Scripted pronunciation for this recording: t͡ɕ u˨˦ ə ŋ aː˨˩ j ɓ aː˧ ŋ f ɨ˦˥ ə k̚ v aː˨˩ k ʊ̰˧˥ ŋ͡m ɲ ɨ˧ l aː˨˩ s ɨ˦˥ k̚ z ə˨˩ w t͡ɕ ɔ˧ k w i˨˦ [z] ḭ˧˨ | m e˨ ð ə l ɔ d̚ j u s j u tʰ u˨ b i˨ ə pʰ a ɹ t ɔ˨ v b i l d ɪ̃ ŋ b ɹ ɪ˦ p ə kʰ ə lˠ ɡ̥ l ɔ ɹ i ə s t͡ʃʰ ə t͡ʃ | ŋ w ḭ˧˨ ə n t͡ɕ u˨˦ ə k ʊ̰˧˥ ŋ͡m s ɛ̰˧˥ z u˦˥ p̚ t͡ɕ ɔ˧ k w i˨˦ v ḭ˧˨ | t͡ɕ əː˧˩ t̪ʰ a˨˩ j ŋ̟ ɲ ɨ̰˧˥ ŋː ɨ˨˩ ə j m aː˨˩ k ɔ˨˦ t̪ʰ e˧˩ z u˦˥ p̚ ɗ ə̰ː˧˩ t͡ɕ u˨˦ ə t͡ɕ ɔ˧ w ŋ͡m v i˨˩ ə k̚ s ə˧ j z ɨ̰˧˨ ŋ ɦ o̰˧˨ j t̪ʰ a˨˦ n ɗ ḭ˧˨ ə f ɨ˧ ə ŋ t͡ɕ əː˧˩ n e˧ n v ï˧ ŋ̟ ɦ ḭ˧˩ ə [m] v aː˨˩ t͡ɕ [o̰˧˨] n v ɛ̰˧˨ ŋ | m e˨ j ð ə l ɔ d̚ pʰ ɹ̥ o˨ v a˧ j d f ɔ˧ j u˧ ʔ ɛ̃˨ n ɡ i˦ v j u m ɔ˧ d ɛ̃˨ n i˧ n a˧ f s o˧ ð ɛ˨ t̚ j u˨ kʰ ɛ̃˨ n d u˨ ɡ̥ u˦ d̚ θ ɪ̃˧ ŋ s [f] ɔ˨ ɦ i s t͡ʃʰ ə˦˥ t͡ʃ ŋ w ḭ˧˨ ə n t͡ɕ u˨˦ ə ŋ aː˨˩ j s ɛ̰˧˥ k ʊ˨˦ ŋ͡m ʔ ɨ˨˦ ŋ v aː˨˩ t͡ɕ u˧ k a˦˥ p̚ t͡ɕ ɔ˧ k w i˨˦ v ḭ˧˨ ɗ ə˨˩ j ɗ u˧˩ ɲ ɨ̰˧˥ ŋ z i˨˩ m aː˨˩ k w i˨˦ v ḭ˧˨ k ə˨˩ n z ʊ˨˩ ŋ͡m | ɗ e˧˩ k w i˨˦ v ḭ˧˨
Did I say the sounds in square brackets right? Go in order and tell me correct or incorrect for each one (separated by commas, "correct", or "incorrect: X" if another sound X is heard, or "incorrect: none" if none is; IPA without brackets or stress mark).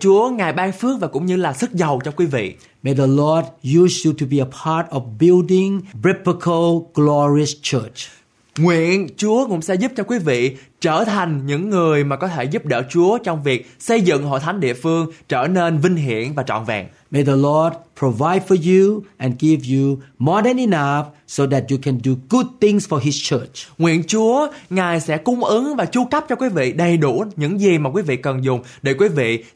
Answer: incorrect: v, incorrect: n, incorrect: ɔ̰˧˨, correct